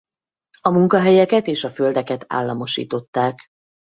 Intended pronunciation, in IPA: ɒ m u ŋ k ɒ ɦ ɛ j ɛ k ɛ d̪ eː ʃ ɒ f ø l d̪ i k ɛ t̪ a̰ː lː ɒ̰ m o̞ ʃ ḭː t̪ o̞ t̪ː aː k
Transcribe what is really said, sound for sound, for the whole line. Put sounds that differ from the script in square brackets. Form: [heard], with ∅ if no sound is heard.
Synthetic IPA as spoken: ɒ m u ŋ k ɒ ɦ ɛ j ɛ k ɛ [t̪] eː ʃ ɒ f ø l d̪ [ɛ] k ɛ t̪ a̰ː lː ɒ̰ m o̞ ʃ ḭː t̪ o̞ t̪ː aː k

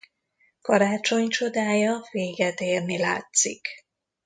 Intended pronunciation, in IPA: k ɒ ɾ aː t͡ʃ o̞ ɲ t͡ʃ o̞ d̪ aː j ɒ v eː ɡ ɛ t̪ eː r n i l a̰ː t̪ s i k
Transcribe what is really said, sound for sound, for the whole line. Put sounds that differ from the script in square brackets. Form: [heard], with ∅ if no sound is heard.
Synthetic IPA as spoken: k ɒ ɾ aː t͡ʃ o̞ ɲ t͡ʃ o̞ d̪ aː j ɒ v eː ɡ ɛ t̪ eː r n i l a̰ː t̪ s i k

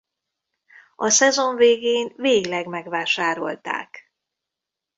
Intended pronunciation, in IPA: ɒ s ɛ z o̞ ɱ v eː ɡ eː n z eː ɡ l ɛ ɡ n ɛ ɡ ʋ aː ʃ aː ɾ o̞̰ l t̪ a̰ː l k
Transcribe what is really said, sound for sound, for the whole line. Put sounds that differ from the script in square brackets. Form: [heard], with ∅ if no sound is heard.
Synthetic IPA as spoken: ɒ s ɛ z o̞ ɱ v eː ɡ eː n [v] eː ɡ l ɛ ɡ [m] ɛ ɡ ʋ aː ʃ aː ɾ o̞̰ l t̪ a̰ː [∅] k

